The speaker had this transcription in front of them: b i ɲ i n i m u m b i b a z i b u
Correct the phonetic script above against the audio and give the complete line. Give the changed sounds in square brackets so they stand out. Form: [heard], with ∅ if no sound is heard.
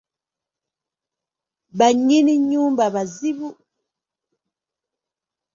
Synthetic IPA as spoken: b [a] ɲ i n i [ɲ] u m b [a] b a z i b u

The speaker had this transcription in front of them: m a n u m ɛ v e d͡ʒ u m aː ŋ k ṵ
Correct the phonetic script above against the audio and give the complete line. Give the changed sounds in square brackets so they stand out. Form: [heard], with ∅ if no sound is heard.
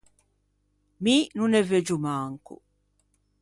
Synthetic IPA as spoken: m [i] n u [n] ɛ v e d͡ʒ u m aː ŋ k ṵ

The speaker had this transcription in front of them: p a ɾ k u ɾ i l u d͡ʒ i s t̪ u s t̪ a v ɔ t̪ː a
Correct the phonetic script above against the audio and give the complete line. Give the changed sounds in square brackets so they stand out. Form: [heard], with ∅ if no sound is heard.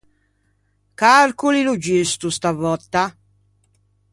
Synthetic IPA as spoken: [k] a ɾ k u [l] i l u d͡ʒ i s t̪ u s t̪ a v ɔ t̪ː a

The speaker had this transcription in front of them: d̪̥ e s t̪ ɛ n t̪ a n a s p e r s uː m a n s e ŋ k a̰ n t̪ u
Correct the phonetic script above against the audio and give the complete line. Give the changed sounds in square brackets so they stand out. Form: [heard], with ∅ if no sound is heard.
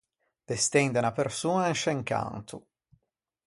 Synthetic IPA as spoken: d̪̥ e s t̪ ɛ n [d̪] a n a [∅] p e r s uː [n] a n [ʃ] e ŋ k a̰ n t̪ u

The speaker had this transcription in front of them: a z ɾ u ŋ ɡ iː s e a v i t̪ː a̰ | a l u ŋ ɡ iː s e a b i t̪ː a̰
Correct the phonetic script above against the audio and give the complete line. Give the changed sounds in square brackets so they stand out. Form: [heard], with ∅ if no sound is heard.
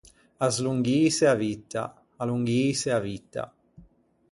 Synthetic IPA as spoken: a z [l] u ŋ ɡ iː s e a v i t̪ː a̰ | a l u ŋ ɡ iː s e a [v] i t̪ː a̰

